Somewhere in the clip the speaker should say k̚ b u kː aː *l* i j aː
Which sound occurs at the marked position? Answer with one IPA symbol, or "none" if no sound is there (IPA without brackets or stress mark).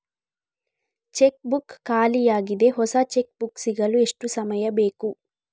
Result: l